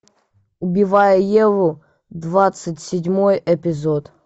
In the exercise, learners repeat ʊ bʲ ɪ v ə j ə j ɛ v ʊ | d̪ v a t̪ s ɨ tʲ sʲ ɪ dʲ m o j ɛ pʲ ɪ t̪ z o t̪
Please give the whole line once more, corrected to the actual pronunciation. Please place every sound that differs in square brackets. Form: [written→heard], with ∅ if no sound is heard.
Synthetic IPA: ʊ bʲ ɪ v [ə→a] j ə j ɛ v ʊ | d̪ v a t̪ s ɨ tʲ sʲ ɪ dʲ m o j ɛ pʲ ɪ [t̪→∅] z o t̪